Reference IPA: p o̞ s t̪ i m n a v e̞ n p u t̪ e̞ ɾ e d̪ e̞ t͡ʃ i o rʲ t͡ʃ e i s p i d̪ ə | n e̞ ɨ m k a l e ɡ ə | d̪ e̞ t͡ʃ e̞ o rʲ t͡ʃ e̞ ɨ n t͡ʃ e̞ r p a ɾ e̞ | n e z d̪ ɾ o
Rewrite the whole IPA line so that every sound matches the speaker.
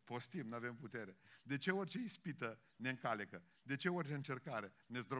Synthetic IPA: p o̞ s t̪ i m n a v e̞ m p u t̪ e̞ ɾ e d̪ e̞ t͡ʃ e o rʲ t͡ʃ e i s p i t̪ ə | n e̞ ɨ ŋ k a l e k ə | d̪ e̞ t͡ʃ e̞ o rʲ t͡ʃ e̞ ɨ n t͡ʃ e̞ r k a ɾ e̞ | n e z d̪ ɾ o